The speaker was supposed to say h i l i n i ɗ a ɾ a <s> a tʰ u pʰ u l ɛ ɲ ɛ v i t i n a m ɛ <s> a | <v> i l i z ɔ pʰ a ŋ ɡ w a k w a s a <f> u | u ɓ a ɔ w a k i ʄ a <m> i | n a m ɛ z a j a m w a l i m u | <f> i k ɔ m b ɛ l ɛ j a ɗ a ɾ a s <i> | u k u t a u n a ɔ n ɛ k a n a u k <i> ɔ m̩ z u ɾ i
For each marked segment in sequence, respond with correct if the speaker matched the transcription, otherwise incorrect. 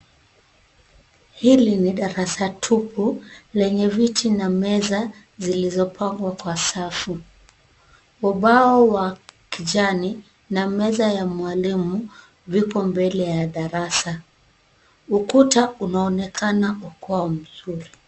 correct, incorrect: z, incorrect: z, correct, incorrect: n, incorrect: v, incorrect: a, incorrect: a

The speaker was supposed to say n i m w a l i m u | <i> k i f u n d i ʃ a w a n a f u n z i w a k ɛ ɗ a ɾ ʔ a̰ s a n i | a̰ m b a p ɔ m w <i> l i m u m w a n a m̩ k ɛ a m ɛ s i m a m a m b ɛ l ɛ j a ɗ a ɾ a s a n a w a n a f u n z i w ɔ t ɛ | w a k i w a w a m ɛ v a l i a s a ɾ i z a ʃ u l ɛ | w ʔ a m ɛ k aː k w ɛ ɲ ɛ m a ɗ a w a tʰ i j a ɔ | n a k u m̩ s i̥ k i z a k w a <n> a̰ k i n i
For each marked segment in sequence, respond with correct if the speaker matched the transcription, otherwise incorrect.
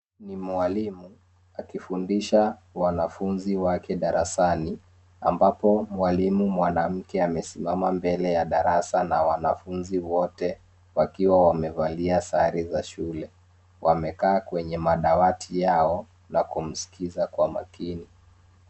incorrect: a, incorrect: a, incorrect: m

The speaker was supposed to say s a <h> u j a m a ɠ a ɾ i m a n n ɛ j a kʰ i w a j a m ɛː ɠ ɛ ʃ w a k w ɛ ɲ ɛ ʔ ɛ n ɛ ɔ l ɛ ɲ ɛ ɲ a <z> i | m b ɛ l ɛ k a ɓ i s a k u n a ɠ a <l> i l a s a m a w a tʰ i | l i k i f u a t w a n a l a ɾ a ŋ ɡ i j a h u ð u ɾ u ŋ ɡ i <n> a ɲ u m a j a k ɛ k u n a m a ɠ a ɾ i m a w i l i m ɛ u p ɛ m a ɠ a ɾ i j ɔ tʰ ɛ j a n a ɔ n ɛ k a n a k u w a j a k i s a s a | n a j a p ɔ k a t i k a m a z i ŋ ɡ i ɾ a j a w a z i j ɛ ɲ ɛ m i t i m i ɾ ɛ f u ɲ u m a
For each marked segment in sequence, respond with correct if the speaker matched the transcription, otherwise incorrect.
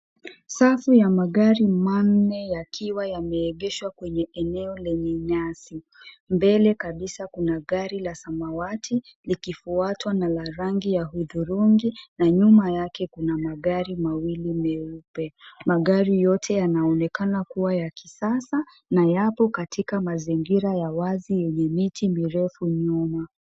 incorrect: f, incorrect: s, incorrect: ɾ, correct

